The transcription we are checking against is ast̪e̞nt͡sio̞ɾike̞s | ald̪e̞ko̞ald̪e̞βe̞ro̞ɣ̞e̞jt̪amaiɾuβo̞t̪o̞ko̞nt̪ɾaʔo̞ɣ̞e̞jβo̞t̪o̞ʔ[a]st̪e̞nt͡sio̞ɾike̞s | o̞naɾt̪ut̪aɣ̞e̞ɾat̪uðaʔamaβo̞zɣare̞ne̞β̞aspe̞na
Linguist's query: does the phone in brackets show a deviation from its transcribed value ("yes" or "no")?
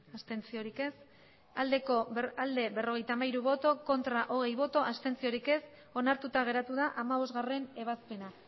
no